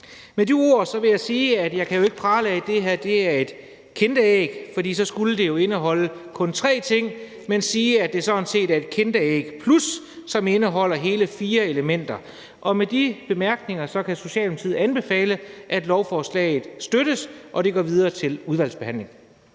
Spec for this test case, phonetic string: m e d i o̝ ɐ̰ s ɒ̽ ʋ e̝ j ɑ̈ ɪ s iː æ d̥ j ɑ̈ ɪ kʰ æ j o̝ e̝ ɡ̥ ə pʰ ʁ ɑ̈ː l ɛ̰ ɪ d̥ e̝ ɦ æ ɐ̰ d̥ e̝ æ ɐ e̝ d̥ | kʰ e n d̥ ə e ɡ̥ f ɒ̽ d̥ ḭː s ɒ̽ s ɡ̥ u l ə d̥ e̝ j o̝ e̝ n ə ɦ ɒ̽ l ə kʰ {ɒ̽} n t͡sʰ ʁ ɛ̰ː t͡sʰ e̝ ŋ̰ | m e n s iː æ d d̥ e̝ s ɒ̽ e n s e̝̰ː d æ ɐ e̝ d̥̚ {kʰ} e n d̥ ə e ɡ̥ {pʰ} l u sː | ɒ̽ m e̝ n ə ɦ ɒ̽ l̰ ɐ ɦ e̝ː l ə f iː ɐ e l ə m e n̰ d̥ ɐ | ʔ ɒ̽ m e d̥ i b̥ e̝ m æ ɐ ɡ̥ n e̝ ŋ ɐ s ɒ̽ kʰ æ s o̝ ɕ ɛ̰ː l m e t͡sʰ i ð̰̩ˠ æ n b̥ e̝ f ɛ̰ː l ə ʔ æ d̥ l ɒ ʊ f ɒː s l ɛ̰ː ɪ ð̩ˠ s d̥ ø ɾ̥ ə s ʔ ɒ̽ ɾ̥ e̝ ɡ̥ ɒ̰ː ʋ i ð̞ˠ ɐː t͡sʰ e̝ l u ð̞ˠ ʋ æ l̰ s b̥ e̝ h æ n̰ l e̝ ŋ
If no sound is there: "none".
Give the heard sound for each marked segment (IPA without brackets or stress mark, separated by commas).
ɔ̽, kʰ, pʰ